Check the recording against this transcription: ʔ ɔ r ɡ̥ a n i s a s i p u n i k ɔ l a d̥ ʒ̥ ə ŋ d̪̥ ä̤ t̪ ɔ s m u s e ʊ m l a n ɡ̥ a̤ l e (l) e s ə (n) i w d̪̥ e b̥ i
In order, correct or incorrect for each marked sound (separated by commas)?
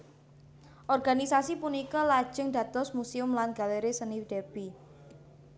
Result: incorrect, correct